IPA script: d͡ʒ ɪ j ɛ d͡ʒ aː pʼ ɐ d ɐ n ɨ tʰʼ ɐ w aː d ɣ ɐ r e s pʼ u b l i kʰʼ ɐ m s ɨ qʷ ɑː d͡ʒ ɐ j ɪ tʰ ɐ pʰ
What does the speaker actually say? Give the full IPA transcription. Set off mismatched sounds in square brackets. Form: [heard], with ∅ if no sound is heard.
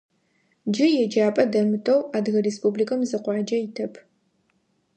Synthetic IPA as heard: d͡ʒ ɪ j ɛ d͡ʒ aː pʼ ɐ d ɐ [m] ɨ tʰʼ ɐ w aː d ɣ ɐ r e s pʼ u b l i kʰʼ ɐ m [z] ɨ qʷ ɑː d͡ʒ ɐ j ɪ tʰ ɐ pʰ

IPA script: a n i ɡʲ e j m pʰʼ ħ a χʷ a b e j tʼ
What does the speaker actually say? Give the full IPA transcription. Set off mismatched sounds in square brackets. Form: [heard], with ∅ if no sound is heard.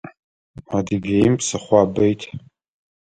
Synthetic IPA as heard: a [d] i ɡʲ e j m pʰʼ [s] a χʷ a b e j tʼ

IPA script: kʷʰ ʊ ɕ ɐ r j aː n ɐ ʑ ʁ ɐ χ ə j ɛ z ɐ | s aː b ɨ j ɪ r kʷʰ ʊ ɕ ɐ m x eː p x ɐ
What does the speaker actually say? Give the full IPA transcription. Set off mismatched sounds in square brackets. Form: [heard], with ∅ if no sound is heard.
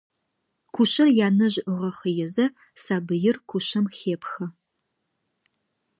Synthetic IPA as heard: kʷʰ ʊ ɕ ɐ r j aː n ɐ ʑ ʁ ɐ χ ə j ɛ z ɐ | s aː b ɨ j ɪ r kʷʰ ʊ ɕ ɐ m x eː p x ɐ

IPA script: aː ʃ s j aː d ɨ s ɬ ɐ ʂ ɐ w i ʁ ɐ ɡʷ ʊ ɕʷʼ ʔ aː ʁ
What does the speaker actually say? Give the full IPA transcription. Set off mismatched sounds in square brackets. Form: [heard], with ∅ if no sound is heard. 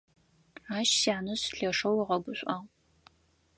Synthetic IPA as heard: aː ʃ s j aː [n] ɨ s ɬ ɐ ʂ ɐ w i ʁ ɐ ɡʷ ʊ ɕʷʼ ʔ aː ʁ

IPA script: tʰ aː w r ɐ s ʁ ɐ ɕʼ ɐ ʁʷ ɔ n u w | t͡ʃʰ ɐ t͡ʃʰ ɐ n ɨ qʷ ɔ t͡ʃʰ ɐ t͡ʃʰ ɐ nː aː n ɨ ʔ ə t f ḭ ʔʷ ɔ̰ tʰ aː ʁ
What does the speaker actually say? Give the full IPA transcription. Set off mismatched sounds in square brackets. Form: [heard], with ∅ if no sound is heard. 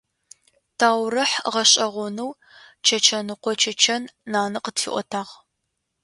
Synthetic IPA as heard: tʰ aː w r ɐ [ħ] ʁ ɐ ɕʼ ɐ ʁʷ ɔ n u w | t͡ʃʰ ɐ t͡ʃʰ ɐ n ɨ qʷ ɔ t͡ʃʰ ɐ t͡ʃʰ ɐ nː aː n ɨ [q] ə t f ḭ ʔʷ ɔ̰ tʰ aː ʁ

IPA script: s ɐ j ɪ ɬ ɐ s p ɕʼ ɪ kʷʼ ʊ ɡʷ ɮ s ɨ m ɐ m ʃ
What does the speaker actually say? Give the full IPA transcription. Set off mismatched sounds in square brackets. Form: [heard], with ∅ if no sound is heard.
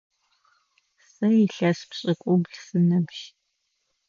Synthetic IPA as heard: s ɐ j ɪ ɬ ɐ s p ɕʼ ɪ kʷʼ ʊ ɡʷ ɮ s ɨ [n] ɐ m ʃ

